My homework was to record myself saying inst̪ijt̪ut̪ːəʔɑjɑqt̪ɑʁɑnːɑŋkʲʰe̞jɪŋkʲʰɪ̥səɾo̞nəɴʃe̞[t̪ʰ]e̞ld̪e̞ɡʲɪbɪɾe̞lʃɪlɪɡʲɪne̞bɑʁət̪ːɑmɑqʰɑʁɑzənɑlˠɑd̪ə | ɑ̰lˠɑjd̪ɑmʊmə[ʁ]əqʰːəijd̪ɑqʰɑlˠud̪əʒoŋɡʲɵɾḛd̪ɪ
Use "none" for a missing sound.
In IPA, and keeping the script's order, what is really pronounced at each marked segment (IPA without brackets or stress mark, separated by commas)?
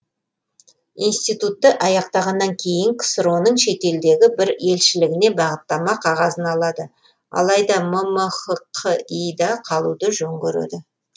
t̪, χ